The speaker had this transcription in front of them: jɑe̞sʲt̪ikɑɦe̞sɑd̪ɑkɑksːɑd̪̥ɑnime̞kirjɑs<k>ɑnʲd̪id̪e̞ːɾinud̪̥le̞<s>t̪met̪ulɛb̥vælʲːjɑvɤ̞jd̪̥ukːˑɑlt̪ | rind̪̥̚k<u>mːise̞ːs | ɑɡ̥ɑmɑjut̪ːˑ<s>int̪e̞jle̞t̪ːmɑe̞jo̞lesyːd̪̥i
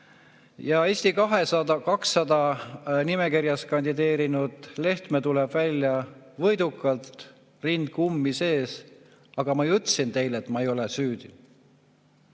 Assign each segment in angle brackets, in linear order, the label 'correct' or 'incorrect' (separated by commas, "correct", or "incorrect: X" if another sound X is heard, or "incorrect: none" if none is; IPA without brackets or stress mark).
correct, incorrect: h, correct, correct